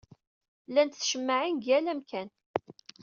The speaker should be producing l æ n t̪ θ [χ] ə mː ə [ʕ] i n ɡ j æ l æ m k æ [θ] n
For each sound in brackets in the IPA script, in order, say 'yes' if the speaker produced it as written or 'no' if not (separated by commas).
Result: no, yes, no